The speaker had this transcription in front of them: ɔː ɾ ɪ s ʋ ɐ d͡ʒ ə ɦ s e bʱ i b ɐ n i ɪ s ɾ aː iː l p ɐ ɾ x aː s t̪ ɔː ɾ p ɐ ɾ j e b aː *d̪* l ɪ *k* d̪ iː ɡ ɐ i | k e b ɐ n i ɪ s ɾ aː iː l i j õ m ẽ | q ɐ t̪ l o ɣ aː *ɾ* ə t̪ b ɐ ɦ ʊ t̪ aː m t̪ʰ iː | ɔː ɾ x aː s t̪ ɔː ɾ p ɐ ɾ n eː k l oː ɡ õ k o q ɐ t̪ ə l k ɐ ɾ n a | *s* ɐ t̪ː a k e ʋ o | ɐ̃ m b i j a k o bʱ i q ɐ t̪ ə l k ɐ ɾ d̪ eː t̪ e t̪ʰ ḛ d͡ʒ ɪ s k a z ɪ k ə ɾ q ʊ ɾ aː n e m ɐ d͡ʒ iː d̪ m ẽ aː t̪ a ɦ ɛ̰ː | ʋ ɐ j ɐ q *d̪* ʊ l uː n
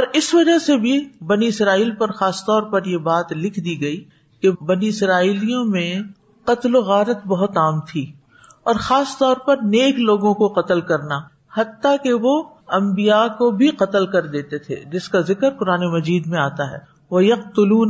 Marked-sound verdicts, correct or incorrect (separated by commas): incorrect, incorrect, correct, incorrect, incorrect